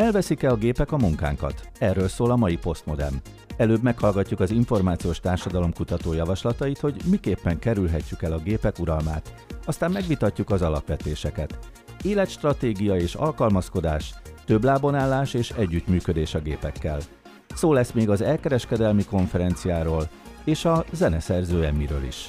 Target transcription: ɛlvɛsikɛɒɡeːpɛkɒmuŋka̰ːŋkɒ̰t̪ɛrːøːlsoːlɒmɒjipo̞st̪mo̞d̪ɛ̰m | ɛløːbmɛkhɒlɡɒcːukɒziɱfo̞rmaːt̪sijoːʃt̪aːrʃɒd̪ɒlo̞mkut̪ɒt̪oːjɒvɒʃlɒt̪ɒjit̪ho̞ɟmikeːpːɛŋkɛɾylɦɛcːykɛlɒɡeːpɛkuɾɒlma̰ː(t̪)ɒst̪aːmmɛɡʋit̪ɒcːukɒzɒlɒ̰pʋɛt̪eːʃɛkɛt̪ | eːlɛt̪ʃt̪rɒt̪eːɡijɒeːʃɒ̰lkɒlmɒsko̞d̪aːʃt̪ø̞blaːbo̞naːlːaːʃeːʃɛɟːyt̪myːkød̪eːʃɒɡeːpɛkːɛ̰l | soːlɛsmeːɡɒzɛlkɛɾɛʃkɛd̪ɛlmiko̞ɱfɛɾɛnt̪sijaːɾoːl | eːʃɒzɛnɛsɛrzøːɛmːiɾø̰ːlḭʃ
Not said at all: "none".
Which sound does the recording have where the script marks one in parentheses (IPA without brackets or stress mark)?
t̪